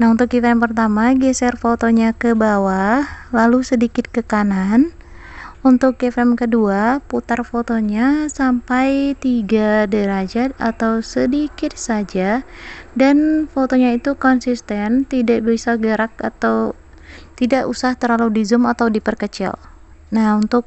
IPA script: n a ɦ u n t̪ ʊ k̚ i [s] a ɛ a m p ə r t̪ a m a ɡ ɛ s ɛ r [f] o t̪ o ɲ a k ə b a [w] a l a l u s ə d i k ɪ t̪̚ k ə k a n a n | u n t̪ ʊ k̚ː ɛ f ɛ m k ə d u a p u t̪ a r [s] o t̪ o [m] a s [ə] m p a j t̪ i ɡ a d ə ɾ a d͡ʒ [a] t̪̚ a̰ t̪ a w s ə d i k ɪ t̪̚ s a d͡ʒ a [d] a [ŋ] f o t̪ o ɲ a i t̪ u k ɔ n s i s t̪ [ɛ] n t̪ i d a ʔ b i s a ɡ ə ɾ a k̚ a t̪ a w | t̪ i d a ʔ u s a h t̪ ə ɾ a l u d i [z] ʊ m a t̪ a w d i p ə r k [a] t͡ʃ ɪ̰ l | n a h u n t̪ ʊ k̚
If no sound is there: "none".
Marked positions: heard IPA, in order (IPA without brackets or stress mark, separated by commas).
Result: f, f, w, f, ɲ, a, a, d, n, ɛ, z, ə